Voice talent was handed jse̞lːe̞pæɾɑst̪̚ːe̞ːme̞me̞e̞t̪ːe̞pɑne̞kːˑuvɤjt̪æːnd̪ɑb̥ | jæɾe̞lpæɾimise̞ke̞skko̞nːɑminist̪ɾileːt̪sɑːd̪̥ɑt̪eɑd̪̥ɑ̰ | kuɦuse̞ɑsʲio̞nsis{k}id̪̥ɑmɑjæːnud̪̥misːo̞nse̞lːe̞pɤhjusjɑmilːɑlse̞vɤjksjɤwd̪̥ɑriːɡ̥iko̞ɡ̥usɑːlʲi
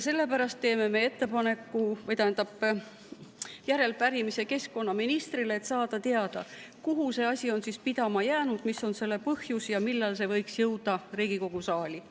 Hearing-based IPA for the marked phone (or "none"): p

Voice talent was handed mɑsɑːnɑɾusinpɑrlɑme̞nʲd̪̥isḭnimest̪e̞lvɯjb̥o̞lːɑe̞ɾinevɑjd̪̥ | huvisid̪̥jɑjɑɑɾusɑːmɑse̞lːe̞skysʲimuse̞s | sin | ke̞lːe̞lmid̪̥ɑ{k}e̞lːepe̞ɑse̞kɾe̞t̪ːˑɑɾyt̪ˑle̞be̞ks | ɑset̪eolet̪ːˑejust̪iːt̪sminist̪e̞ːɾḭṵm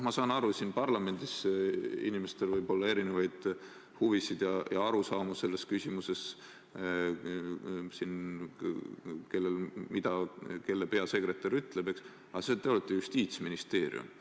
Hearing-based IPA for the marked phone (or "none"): k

